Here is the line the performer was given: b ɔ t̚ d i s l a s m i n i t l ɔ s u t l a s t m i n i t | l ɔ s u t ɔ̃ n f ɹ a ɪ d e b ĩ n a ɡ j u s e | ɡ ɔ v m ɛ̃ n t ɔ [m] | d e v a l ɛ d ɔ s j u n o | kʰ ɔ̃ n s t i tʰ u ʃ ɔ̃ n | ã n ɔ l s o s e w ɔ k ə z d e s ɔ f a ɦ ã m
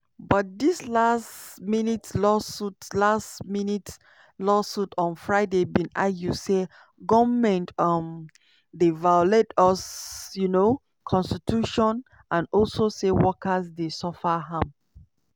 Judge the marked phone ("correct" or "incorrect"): correct